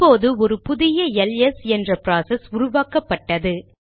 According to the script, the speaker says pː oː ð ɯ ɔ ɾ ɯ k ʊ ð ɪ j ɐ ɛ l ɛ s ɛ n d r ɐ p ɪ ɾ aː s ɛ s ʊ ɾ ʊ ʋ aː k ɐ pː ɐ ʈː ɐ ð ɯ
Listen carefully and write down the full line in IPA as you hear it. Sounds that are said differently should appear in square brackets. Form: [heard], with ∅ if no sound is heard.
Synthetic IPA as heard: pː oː ð ɯ ɔ ɾ ɯ [p] ʊ ð ɪ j ɐ ɛ l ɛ s ɛ n d r ɐ p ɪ ɾ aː s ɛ s ʊ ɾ ʊ ʋ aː k ɐ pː ɐ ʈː ɐ ð ɯ